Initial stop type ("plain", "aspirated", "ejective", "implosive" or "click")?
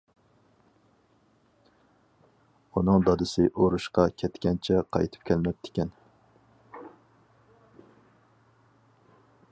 plain